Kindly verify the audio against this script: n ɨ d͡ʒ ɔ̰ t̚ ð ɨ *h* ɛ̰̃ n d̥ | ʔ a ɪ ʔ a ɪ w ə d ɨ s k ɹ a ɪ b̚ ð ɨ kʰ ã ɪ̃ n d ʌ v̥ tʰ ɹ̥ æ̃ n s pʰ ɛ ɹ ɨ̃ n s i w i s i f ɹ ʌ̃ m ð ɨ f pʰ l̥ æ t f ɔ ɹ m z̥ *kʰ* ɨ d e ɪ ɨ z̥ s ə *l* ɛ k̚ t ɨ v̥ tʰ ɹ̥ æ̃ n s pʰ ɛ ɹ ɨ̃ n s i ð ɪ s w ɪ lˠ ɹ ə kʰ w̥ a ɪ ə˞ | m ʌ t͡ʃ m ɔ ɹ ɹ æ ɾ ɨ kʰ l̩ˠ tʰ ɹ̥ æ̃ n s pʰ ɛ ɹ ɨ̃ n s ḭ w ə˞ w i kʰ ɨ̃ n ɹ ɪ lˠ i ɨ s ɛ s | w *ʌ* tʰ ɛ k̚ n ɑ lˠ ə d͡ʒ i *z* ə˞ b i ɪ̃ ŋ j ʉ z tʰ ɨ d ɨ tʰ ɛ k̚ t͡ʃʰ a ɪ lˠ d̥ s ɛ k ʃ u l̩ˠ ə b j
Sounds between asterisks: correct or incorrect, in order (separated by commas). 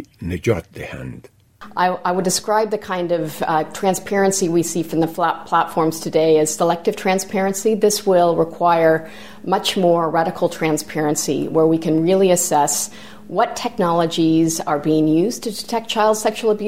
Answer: correct, incorrect, correct, correct, correct